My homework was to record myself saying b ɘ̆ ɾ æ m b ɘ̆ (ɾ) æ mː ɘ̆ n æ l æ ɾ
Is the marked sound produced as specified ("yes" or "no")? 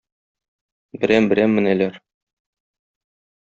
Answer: yes